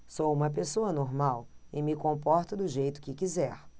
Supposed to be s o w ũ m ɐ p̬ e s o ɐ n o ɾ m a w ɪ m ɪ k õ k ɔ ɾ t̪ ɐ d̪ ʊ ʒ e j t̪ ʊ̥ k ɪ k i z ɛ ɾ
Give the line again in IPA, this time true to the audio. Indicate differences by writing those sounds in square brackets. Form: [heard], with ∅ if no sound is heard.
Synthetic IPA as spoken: s o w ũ m ɐ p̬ e s o ɐ n o ɾ m a w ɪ m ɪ k õ [p] ɔ ɾ t̪ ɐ d̪ ʊ ʒ e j t̪ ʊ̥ k ɪ k i z ɛ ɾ